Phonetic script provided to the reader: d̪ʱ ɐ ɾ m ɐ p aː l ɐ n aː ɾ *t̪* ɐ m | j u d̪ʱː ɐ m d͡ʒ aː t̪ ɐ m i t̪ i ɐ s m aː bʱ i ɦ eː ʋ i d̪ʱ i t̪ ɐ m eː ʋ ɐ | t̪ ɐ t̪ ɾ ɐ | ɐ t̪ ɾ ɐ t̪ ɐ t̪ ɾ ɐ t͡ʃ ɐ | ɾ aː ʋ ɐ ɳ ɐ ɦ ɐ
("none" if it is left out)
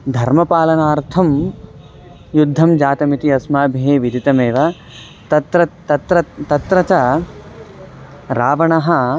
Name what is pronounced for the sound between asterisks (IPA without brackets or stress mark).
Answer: t̪ʰ